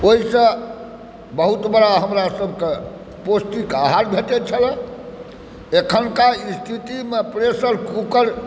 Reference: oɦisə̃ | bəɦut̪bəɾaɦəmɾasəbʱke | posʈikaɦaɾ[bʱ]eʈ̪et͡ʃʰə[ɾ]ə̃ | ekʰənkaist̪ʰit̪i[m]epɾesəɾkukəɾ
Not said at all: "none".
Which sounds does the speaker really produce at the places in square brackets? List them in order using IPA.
bʱ, l, m

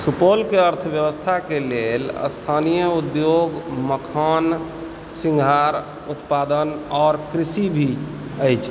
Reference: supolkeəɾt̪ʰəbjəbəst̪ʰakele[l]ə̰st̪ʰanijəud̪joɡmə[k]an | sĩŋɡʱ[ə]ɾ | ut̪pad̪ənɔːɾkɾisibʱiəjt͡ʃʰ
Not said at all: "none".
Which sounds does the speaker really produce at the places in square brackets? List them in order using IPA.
l, kʰ, a

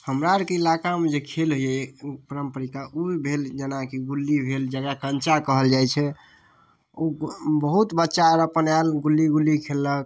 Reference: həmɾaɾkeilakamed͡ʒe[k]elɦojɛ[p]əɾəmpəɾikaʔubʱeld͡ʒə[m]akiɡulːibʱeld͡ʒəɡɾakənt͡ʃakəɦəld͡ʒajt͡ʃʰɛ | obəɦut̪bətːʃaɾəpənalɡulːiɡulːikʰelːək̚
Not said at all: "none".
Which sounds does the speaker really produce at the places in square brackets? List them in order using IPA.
kʰ, p, n

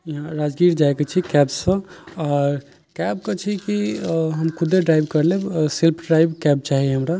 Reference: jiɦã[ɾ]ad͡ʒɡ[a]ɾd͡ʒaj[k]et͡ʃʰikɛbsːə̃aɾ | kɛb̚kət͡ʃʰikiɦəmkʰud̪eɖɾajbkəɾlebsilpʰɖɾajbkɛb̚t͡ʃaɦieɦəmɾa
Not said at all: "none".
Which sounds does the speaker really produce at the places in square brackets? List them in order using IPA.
ɾ, i, k

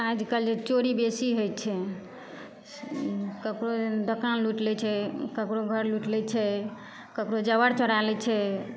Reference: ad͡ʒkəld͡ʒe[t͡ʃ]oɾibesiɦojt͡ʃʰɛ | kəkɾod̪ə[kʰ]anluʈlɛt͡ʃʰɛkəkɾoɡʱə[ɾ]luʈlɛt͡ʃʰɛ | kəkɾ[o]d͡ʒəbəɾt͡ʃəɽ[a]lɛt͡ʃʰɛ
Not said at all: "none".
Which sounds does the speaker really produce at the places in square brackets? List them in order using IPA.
t͡ʃ, k, ɾ, o, a

